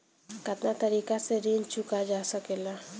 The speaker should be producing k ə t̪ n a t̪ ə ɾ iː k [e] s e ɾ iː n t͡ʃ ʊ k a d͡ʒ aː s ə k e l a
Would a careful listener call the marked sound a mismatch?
yes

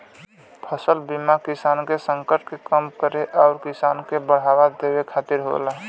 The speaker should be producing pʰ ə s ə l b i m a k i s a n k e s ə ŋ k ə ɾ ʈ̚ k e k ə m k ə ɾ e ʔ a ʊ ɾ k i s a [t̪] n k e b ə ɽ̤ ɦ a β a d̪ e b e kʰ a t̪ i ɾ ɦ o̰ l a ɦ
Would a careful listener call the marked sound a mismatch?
yes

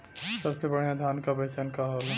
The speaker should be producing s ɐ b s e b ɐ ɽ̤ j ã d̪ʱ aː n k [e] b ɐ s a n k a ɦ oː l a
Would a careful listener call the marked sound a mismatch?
yes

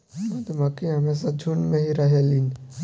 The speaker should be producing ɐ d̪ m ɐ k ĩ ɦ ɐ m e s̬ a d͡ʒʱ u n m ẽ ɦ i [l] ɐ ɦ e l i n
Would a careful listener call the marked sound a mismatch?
yes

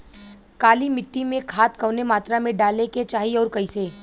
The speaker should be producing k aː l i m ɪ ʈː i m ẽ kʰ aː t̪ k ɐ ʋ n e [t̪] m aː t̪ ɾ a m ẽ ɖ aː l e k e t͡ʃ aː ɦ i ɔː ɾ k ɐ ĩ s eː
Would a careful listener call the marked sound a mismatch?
yes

